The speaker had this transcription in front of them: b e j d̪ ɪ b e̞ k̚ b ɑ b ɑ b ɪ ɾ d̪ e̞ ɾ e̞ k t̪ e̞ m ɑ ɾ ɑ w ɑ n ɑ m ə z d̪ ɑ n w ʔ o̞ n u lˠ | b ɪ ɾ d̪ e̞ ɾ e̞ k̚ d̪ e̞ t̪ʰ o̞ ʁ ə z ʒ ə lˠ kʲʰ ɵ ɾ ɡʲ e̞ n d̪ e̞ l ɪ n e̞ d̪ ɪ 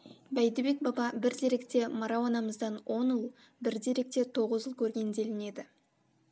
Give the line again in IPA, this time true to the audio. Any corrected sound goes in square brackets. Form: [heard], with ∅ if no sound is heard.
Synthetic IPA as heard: b [æ] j d̪ ɪ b e̞ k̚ b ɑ b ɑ b ɪ ɾ d̪ e̞ ɾ e̞ k t̪ e̞ m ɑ ɾ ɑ w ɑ n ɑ m ə z d̪ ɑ n w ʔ o̞ n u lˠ | b ɪ ɾ d̪ e̞ ɾ e̞ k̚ [t̪] e̞ t̪ʰ o̞ ʁ ə z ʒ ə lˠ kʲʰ ɵ ɾ ɡʲ e̞ n d̪ e̞ l ɪ n e̞ d̪ ɪ